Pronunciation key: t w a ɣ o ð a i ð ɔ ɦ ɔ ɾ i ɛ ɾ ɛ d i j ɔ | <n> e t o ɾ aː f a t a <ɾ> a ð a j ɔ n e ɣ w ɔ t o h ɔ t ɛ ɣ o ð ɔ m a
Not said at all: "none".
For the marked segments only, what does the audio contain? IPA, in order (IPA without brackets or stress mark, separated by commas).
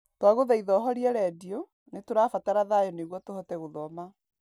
n, ɾ